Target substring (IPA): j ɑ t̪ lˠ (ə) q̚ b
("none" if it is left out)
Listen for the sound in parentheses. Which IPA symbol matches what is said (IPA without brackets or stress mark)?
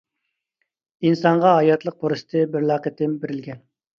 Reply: ə